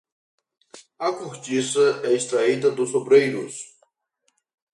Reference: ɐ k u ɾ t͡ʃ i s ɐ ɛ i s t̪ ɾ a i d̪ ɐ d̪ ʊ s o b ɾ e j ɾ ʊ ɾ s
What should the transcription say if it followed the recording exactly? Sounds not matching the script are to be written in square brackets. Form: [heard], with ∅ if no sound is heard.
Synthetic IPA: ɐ k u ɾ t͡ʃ i s ɐ ɛ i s t̪ ɾ a i d̪ ɐ d̪ ʊ s o b ɾ e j ɾ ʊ [∅] s